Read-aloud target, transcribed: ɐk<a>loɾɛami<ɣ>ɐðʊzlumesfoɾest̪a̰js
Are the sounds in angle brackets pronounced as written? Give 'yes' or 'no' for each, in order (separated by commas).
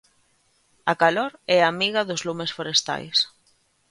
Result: yes, yes